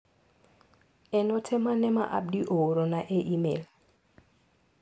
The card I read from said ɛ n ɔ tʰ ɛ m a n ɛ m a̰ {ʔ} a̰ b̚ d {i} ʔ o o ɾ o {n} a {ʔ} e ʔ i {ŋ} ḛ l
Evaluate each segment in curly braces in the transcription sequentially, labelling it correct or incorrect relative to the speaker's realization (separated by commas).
correct, correct, correct, correct, incorrect